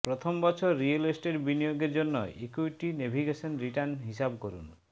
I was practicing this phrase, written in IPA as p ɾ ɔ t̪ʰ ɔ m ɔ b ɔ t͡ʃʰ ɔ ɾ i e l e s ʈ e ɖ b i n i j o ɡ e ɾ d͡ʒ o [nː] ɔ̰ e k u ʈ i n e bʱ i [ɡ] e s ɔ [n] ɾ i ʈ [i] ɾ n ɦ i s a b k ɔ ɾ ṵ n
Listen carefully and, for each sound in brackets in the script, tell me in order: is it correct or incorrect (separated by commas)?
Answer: correct, correct, correct, incorrect